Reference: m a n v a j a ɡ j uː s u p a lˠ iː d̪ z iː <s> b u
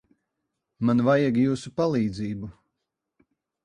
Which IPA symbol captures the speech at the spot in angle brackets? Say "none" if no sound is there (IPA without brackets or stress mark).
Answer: none